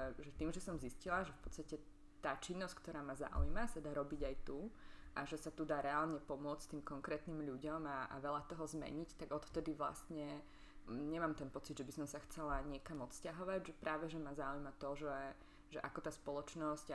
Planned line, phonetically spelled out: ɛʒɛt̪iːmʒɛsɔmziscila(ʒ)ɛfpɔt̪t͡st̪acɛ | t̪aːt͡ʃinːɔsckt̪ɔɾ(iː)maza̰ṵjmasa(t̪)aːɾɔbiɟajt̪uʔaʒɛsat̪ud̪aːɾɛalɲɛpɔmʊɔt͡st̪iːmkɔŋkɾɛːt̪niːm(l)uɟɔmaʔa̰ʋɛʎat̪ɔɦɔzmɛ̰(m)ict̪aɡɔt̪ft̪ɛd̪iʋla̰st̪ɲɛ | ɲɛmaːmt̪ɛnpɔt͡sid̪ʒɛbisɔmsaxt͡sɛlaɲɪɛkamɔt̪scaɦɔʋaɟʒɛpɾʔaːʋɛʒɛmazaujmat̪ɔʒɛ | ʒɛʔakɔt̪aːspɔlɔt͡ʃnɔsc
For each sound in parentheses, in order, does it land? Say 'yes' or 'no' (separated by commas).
yes, no, no, no, no